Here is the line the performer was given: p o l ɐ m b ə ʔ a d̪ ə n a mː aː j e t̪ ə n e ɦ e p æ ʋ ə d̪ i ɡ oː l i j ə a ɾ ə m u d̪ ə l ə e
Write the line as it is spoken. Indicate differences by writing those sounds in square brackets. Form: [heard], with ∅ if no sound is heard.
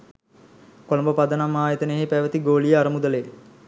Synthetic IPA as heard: [k] o l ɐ m b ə [p] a d̪ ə n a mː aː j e t̪ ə n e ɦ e p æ ʋ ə [t̪] i ɡ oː l i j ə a ɾ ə m u d̪ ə l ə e